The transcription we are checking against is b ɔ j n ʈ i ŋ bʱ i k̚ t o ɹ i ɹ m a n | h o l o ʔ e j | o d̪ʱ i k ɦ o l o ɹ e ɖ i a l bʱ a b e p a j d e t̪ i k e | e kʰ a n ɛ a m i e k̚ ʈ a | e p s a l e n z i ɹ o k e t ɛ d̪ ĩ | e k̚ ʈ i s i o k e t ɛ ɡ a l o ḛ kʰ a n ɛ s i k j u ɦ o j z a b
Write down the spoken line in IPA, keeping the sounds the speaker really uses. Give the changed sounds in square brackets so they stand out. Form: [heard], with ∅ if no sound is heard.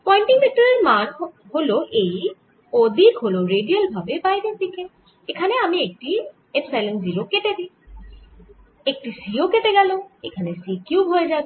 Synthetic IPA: [p] ɔ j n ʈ i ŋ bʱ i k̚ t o ɹ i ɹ m a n | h o l o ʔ e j | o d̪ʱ i k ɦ o l o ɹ e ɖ i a l bʱ a b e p a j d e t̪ i k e | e kʰ a n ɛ a m i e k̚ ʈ [i] | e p s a l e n z i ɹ o k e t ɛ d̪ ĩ | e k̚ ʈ i s i o k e t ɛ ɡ a l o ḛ kʰ a n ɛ s i k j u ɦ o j z a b